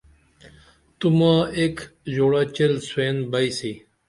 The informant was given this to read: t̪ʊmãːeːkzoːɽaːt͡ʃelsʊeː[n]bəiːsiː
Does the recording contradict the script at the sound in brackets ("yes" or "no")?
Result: no